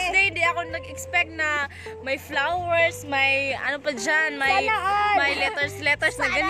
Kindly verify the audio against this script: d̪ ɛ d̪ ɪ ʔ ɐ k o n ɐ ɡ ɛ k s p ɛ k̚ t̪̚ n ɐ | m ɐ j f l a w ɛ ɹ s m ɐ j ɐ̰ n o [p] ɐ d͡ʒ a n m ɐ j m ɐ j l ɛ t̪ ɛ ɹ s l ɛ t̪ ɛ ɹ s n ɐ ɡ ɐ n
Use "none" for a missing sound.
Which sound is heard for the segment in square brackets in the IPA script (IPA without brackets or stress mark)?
p